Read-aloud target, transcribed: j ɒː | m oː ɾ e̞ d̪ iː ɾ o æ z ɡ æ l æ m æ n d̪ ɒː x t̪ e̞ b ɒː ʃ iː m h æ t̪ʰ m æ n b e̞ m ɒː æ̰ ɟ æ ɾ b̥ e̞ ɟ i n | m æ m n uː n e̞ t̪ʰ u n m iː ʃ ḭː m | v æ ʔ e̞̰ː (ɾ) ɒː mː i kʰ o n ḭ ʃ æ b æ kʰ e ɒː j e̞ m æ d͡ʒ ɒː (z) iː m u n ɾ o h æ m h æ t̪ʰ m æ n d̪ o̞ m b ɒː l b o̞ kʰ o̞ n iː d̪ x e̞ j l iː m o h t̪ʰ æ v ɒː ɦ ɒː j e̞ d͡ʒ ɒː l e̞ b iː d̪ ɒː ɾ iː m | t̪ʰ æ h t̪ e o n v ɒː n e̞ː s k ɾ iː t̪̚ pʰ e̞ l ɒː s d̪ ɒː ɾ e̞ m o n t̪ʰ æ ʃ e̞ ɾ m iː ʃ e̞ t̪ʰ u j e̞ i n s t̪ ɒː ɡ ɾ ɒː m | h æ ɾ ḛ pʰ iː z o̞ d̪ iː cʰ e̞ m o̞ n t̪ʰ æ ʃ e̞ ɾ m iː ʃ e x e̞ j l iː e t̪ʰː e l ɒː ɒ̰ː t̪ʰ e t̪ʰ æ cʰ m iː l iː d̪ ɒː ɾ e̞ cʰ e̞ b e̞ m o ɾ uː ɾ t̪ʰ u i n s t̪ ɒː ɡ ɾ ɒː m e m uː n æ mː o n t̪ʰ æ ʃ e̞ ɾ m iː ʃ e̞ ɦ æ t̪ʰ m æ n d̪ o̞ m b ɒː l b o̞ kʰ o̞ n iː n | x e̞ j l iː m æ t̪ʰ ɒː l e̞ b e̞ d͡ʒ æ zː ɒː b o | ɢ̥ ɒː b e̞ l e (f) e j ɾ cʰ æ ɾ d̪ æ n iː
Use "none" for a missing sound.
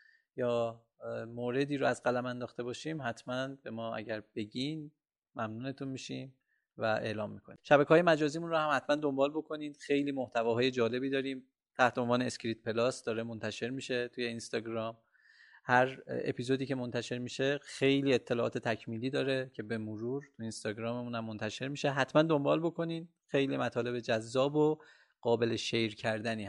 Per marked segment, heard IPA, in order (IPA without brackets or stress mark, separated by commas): l, z, ʃ